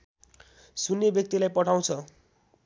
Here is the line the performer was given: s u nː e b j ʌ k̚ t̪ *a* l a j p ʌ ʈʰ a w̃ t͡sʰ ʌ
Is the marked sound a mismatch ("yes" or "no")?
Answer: yes